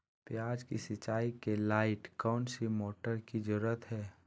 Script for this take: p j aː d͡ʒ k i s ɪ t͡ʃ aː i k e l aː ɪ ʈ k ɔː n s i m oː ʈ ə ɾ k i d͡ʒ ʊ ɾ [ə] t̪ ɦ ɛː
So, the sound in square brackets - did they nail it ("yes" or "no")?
yes